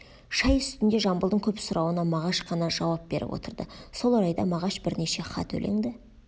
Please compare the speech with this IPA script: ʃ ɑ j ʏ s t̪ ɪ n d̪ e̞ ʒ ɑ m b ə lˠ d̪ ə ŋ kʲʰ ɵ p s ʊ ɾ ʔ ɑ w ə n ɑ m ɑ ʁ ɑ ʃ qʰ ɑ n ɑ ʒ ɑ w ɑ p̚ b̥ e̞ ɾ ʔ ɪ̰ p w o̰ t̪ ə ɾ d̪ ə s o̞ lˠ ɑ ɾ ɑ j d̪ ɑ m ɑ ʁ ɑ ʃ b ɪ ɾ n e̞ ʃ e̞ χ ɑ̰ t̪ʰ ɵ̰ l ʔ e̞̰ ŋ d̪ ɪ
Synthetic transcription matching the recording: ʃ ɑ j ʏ s t̪ ɪ n d̪ e̞ ʒ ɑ m b ə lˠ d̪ ə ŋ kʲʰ ɵ p s ʊ ɾ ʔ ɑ w ə n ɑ m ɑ ʁ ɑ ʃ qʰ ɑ n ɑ ʒ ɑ w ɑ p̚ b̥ e̞ ɾ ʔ ɪ̰ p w o̰ t̪ ə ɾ d̪ ə s o̞ lˠ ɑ ɾ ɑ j d̪ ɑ m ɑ ʁ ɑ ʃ b ɪ ɾ n e̞ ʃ e̞ χ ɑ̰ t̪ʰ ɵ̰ l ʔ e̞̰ ŋ d̪ ɪ